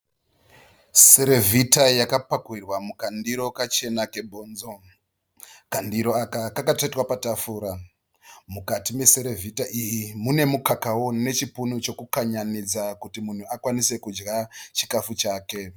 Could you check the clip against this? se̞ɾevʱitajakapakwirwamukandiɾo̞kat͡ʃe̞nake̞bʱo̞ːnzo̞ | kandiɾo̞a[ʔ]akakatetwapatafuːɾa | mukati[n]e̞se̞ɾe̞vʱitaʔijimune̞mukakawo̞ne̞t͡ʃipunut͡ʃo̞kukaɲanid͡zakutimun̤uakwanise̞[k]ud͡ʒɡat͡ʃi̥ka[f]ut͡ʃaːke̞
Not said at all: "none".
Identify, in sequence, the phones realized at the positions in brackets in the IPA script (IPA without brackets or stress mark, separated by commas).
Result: k, m, k, f